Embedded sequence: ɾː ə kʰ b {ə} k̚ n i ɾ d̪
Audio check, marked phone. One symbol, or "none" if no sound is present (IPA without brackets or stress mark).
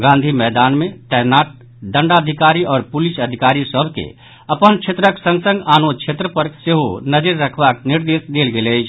a